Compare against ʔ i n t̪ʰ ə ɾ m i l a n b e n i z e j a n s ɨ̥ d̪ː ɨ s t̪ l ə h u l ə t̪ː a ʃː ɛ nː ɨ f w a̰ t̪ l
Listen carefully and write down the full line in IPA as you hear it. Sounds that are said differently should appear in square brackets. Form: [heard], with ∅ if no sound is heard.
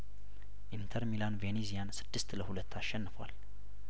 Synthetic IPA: ʔ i n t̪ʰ ə ɾ m i l a n [v] e n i z [i] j a n s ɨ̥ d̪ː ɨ s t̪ l ə h u l ə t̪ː a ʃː ɛ nː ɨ f w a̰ [∅] l